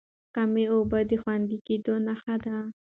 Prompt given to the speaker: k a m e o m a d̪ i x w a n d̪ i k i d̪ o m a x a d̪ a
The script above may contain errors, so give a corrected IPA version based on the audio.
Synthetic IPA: k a m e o b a d̪ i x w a n d̪ i k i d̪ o n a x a d̪ a